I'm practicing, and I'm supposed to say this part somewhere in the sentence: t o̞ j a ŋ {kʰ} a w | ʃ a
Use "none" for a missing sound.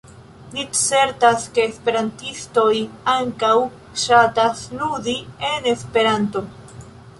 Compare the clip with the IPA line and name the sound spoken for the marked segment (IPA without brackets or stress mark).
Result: k